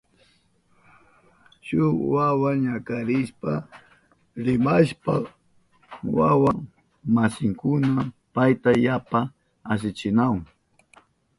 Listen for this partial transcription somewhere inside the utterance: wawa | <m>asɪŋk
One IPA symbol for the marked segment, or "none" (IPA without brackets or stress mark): m